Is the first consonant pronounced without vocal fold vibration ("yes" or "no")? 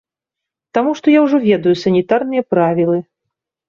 yes